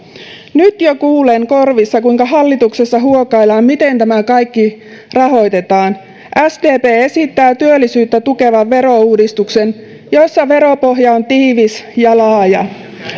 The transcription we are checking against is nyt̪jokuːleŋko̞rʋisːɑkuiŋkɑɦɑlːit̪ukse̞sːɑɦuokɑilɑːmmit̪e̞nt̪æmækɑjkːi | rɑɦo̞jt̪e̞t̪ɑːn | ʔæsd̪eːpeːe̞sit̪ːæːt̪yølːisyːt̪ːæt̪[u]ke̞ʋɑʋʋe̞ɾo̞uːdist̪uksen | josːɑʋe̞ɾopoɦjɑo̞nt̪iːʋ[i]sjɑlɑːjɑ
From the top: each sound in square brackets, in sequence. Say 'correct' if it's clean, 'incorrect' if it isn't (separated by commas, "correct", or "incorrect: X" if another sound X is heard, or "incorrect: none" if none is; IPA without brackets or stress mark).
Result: correct, correct